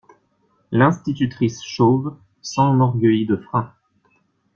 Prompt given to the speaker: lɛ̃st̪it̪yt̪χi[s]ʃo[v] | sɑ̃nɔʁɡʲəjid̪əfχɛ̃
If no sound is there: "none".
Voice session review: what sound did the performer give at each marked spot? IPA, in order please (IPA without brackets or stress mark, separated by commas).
s, v